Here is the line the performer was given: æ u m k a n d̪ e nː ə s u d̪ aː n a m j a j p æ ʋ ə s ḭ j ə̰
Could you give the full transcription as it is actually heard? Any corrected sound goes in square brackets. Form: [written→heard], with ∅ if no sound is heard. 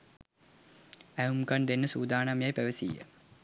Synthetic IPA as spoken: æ u m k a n d̪ e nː ə s [u→uː] d̪ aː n a m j a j p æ ʋ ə s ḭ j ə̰